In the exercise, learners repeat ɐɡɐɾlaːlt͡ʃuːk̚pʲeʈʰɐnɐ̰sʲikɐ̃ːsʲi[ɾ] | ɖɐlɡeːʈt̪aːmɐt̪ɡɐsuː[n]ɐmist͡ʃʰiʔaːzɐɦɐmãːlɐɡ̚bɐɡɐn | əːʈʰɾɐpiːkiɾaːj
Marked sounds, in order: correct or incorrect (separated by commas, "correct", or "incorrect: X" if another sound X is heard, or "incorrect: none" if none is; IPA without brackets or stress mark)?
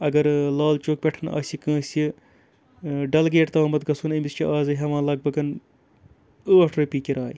incorrect: none, correct